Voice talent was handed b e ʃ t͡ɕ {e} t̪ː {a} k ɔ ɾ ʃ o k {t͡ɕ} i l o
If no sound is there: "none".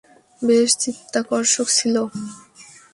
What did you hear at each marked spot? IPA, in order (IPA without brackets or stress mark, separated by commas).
i, a, t͡ɕʰ